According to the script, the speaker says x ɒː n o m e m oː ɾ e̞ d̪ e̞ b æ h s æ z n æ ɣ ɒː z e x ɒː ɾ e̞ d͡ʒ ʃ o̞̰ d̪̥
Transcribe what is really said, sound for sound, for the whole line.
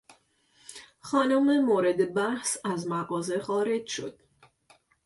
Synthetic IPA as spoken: x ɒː n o m e m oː ɾ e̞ d̪ e̞ b æ h s æ z m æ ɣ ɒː z e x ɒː ɾ e̞ d͡ʒ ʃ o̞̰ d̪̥